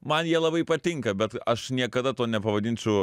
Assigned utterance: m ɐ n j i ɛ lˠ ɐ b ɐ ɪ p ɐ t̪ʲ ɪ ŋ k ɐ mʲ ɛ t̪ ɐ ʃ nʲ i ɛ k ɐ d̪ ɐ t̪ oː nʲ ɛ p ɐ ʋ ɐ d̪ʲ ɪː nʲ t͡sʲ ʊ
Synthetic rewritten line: m ɐ n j i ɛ lˠ ɐ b ɐ ɪ p ɐ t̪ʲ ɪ ŋ k ɐ bʲ ɛ t̪ ɐ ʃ nʲ i ɛ k ɐ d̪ ɐ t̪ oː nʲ ɛ p ɐ ʋ ɐ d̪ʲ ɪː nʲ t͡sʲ ʊ